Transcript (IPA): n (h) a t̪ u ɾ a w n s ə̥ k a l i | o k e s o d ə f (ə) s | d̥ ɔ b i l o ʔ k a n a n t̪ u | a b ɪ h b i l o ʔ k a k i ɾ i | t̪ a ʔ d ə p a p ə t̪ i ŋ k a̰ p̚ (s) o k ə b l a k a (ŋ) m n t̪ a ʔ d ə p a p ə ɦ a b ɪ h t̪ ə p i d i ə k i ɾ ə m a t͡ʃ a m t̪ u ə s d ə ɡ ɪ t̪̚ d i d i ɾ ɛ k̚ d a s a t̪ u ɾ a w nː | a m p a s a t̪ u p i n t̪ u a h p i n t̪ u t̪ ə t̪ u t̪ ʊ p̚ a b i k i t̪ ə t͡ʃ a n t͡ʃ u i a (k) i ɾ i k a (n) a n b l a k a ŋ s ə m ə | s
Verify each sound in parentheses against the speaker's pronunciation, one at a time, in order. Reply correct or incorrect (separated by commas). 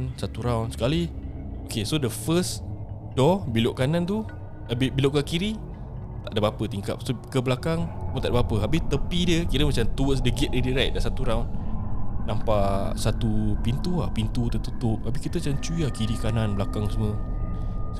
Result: incorrect, correct, correct, correct, correct, correct